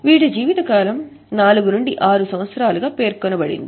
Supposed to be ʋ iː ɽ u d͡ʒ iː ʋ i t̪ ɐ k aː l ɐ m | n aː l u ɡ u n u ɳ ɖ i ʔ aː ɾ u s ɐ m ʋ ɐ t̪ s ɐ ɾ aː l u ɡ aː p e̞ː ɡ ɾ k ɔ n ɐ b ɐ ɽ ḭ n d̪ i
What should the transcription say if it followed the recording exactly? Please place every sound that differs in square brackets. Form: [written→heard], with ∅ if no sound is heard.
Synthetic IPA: ʋ iː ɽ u d͡ʒ iː ʋ i t̪ ɐ k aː l ɐ m | n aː l u ɡ u n u ɳ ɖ i ʔ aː ɾ u s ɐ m ʋ ɐ t̪ s ɐ ɾ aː l u ɡ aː p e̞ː [ɡ→∅] ɾ k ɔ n ɐ b ɐ ɽ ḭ n d̪ i